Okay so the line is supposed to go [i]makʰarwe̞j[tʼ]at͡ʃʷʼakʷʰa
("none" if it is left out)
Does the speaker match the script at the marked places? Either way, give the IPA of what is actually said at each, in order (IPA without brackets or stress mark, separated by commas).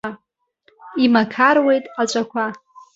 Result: i, tʼ